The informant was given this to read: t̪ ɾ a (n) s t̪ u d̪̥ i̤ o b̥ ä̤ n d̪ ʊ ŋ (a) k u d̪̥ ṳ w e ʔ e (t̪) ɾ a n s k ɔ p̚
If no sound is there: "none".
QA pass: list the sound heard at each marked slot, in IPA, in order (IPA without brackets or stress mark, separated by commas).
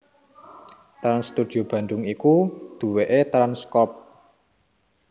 n, i, t̪